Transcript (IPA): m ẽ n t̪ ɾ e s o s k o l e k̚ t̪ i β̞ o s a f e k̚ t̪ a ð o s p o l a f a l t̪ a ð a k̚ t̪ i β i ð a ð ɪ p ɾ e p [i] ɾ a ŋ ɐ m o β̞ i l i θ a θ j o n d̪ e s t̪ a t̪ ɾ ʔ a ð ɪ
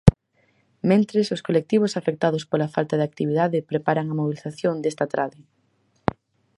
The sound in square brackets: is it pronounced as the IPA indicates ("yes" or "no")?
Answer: no